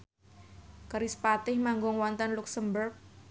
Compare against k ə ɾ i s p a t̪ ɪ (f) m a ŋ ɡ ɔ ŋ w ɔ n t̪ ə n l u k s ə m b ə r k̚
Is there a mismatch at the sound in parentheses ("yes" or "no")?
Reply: yes